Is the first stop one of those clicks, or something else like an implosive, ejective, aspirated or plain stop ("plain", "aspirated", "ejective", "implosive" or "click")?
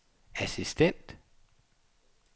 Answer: plain